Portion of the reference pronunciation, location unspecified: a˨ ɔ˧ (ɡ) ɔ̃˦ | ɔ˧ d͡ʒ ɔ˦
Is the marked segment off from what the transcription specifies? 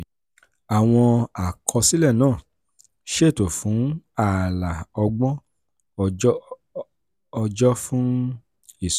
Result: yes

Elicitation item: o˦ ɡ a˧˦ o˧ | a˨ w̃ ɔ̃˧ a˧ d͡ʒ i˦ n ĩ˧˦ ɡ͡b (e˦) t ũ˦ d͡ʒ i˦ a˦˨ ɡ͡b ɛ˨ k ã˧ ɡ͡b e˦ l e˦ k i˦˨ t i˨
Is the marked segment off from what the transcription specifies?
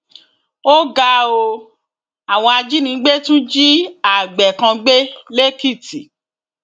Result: no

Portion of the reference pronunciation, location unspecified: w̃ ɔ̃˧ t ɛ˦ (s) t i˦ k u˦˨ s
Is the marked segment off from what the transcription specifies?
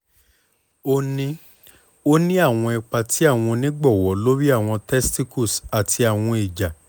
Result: no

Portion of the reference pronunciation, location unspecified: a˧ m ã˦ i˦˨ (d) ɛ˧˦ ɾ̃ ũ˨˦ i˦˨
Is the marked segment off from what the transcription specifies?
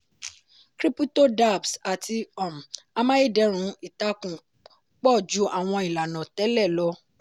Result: no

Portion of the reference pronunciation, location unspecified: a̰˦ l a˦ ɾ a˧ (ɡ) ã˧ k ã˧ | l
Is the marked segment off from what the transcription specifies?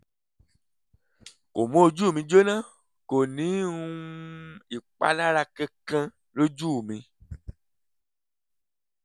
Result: yes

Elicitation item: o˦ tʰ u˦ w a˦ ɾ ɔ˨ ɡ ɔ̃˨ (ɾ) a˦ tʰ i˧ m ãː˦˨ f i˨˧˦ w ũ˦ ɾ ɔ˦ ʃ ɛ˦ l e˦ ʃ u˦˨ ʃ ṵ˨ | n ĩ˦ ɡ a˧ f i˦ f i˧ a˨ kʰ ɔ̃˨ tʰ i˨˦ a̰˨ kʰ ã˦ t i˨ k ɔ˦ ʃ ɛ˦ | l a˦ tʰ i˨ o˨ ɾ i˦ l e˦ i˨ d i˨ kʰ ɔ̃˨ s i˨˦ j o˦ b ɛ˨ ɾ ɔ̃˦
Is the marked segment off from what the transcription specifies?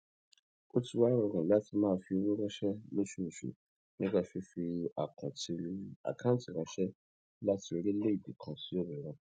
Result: yes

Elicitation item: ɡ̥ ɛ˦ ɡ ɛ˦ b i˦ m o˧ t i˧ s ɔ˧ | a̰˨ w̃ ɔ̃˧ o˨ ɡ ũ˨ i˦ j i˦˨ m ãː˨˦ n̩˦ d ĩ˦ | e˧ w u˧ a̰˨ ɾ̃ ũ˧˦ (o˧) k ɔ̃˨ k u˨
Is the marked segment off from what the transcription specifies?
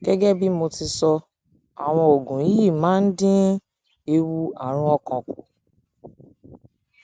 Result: yes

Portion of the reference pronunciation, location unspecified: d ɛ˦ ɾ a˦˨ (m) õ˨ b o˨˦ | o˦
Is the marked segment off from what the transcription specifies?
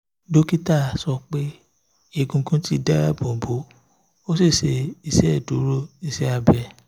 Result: yes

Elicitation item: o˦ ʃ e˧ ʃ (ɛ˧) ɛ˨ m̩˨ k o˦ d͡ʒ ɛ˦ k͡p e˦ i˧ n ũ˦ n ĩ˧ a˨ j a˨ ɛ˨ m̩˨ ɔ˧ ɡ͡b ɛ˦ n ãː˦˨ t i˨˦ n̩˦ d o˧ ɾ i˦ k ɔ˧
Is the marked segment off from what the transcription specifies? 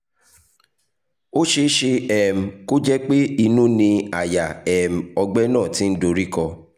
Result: yes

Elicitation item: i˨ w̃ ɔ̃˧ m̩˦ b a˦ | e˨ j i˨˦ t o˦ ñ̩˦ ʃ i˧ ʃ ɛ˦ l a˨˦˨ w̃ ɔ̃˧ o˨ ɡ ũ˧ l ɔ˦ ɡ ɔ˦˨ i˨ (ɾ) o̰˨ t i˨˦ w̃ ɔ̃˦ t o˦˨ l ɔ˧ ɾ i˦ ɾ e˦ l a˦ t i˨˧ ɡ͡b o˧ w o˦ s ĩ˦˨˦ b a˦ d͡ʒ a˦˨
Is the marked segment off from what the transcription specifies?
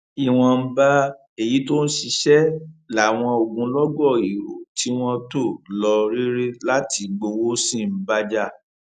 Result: no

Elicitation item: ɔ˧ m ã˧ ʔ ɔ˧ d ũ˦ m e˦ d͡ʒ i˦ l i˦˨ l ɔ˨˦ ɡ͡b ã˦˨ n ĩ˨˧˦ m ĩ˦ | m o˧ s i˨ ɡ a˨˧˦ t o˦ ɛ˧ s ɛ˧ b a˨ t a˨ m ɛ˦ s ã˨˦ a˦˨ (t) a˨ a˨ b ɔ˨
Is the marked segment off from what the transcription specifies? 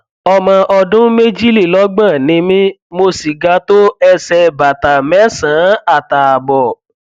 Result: no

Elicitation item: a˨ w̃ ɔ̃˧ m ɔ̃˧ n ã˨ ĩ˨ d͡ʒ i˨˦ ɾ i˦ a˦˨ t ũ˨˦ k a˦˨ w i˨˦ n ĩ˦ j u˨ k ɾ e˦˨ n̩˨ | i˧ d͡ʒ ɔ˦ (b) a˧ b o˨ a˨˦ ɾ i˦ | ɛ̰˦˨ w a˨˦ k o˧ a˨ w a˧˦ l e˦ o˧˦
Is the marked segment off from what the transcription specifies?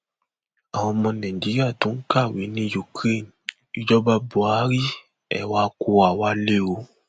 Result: no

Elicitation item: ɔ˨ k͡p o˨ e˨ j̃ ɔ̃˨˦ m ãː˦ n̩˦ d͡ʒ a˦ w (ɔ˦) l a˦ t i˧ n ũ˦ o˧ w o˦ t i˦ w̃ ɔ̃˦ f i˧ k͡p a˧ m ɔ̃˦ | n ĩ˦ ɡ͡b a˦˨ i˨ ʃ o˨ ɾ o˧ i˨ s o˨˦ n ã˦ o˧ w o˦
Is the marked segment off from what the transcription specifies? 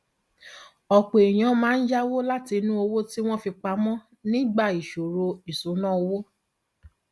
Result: yes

